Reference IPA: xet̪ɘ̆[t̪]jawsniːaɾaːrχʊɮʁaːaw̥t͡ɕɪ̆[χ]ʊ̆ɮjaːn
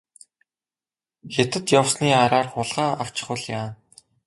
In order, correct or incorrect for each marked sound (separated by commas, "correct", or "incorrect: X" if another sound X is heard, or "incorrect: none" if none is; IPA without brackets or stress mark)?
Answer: correct, correct